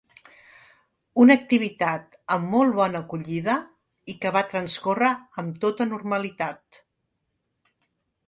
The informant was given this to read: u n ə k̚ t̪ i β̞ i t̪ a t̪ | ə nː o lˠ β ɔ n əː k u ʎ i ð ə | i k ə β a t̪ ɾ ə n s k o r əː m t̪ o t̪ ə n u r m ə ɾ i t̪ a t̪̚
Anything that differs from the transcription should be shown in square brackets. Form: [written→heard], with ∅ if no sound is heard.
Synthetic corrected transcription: u n ə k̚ t̪ i β̞ i t̪ a t̪ | ə [nː→mː] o lˠ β ɔ n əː k u ʎ i ð ə | i k ə β a t̪ ɾ ə n s k o r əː m t̪ o t̪ ə n u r m ə [ɾ→l] i t̪ a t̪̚

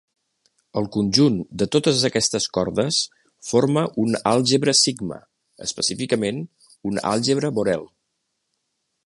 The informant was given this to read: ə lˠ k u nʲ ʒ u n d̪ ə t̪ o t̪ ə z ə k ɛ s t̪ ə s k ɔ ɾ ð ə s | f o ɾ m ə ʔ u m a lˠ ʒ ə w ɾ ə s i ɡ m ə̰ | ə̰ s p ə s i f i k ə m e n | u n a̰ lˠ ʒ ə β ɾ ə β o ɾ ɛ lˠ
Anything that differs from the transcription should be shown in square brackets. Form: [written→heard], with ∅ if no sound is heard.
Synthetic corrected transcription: ə lˠ k u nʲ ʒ u n d̪ ə t̪ o t̪ ə z ə k ɛ s t̪ ə s k ɔ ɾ ð ə s | f o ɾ m ə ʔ u [m→n] a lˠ ʒ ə [w→β] ɾ ə s i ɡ m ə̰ | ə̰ s p ə s i f i k ə m e n | u n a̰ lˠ ʒ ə β ɾ ə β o ɾ ɛ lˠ

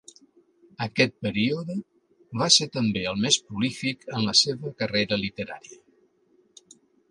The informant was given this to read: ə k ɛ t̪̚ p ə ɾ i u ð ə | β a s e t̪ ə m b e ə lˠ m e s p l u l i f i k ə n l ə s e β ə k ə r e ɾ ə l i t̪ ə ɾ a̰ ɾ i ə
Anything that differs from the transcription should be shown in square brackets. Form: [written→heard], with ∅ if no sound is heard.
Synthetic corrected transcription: ə k ɛ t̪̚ p ə ɾ i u ð ə | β a s e t̪ ə m b e ə lˠ m e s p [l→ɾ] u l i f i k ə n l ə s e β ə k ə r e ɾ ə l i t̪ ə ɾ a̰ ɾ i ə

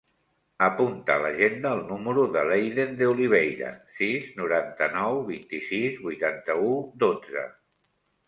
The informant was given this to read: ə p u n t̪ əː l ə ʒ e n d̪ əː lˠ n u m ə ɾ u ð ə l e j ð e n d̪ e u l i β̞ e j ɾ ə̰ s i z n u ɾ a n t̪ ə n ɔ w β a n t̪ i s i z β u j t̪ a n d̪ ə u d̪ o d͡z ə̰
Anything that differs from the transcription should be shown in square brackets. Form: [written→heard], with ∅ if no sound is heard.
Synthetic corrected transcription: ə p u n t̪ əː l ə ʒ e n d̪ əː lˠ n u m ə ɾ u ð ə l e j ð e n d̪ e u l i β̞ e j ɾ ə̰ s i z n u ɾ a n t̪ ə n ɔ w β [a→i] n t̪ i s i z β u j t̪ a n [d̪→t̪] ə u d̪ o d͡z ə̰

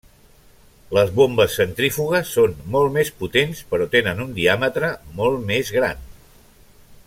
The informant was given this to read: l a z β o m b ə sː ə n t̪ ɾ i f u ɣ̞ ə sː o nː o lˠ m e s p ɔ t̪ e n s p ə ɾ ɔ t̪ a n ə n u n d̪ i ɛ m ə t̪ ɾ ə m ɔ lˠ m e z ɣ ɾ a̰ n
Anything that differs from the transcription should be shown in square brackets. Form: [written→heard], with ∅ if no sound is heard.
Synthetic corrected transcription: l [a→ə] z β o m b ə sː ə n t̪ ɾ i f u ɣ̞ ə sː o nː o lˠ m e s p [ɔ→u] t̪ e n s p ə ɾ ɔ t̪ [a→e] n ə n u n d̪ i [ɛ→a] m ə t̪ ɾ ə m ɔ lˠ m e z ɣ ɾ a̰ n

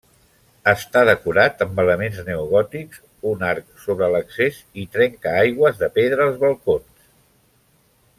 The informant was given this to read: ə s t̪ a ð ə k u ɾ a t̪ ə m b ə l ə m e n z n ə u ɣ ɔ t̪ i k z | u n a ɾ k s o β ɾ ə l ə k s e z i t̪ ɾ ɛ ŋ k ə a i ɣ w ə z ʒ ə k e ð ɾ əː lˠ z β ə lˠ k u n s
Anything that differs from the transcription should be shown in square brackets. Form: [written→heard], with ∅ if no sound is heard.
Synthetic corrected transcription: ə s t̪ a ð ə k u ɾ a t̪ ə m b ə l ə m e n z n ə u ɣ ɔ t̪ i k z | u n a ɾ k s o β ɾ ə l ə k s e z i t̪ ɾ ɛ ŋ k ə a [i→j] ɣ w ə z [ʒ→ð] ə [k→p] e ð ɾ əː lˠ z β ə lˠ k [u→o] n s

